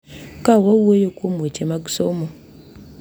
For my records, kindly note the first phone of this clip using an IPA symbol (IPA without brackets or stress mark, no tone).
k